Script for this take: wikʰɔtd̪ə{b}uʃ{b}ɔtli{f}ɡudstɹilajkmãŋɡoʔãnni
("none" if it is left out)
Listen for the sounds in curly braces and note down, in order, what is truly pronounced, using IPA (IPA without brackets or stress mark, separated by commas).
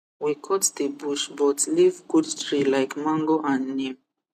b, b, v